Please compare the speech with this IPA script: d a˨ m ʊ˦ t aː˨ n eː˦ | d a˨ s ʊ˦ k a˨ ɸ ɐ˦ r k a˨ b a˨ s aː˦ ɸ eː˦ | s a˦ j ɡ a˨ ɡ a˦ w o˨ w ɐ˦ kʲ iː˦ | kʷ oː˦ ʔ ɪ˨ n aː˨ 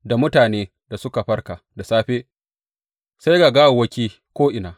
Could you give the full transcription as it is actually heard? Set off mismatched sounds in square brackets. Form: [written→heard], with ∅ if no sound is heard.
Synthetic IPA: d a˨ m ʊ˦ t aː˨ n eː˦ | d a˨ s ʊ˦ k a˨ ɸ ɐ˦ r k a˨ [b→d] a˨ s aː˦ ɸ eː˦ | s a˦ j ɡ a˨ ɡ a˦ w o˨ w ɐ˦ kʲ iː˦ | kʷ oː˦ ʔ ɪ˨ n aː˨